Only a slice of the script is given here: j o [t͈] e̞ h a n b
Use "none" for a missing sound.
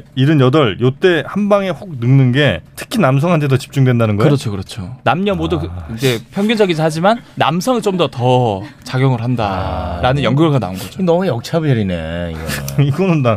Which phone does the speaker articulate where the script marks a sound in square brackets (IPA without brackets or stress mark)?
t͈